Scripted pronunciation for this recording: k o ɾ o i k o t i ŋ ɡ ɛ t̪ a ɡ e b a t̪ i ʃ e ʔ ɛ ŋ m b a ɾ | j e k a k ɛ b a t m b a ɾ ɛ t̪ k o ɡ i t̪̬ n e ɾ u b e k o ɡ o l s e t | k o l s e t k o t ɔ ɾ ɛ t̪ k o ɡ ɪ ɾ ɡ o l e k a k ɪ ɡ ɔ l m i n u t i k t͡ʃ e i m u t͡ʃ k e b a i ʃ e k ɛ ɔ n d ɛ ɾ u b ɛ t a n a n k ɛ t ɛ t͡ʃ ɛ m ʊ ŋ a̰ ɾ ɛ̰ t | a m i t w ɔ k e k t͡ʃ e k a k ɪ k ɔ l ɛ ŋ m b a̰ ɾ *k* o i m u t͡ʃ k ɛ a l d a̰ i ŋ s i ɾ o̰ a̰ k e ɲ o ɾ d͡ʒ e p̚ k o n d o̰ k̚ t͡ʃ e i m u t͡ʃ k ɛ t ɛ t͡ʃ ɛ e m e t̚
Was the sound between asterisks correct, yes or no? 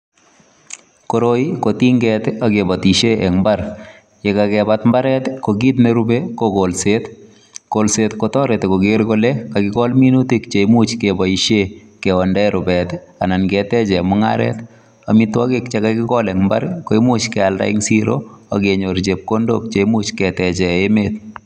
yes